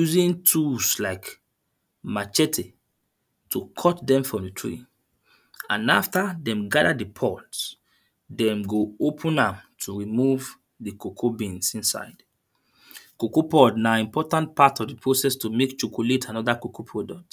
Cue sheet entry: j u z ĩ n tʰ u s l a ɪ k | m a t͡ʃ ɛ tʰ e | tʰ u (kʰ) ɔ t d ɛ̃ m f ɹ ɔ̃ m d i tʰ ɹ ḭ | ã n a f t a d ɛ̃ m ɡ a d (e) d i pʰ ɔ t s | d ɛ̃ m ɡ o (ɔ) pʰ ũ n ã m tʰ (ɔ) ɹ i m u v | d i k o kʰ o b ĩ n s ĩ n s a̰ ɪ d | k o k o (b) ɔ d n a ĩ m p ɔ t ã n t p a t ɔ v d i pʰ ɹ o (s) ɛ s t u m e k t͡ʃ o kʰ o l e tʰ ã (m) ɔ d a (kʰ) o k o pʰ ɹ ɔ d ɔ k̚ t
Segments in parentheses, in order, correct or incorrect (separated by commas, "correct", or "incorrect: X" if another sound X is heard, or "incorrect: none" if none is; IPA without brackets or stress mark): correct, incorrect: a, incorrect: o, incorrect: u, incorrect: p, correct, incorrect: n, incorrect: k